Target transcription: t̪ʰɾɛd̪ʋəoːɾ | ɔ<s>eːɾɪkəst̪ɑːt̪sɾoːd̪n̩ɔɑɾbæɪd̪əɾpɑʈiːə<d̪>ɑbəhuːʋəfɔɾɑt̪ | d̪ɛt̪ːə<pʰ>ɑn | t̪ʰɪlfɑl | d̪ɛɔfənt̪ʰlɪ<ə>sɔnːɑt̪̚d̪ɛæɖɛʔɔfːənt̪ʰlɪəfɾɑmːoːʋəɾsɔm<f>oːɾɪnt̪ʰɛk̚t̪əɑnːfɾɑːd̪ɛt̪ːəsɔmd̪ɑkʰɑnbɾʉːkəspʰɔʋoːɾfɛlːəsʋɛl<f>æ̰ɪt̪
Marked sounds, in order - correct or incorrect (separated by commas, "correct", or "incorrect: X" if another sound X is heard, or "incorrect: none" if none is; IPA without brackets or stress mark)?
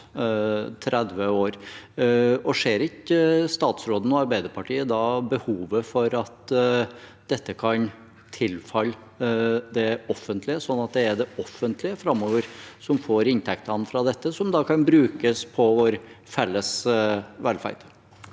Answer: incorrect: ʂ, correct, incorrect: kʰ, correct, correct, correct